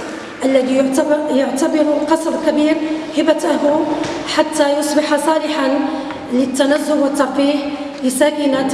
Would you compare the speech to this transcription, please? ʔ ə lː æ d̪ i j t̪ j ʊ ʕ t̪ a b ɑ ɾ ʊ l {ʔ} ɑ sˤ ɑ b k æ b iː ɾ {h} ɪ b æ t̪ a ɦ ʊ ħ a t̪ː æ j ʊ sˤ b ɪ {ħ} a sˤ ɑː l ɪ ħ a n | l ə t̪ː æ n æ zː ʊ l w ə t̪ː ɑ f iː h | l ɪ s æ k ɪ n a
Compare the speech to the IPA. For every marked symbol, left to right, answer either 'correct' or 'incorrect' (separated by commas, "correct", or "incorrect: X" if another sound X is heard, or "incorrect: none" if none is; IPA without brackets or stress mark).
incorrect: q, correct, correct